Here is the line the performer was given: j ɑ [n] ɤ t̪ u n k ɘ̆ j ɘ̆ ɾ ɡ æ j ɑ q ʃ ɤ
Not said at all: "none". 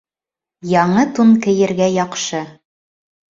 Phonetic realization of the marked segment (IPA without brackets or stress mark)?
ɴ